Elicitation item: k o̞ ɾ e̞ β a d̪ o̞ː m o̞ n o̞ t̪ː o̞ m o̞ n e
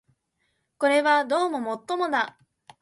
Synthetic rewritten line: k o̞ ɾ e̞ β a d̪ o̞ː m o̞ m o̞ t̪ː o̞ m o̞ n a